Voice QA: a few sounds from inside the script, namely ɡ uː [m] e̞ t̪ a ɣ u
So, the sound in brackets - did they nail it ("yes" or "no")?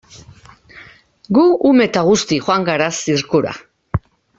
yes